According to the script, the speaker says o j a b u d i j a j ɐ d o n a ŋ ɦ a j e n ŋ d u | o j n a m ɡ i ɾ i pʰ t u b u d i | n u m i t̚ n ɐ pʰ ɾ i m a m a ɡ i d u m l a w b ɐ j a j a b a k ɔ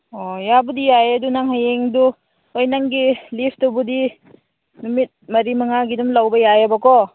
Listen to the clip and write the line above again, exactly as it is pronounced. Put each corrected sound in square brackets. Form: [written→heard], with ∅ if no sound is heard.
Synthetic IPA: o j a b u d i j a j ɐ d [o→u] n a ŋ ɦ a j e [n→∅] ŋ d u | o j n a [m→ŋ] ɡ i [ɾ→l] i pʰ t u b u d i | n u m i t̚ [n→m] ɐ [pʰ→∅] ɾ i m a [m→ŋ] a ɡ i d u m l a w b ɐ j a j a b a k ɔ